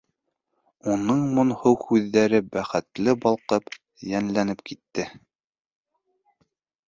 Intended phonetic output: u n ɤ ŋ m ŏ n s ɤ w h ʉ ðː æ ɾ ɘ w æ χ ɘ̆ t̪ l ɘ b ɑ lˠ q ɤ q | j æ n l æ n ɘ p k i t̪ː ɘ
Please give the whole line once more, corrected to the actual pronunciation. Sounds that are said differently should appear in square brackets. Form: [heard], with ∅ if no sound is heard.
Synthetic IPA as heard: u n ɤ [ɴ] m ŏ n [h] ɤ w h ʉ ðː æ ɾ ɘ [b] æ χ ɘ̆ t̪ l ɘ b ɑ lˠ q ɤ [p] | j æ n l æ n ɘ p k i t̪ː ɘ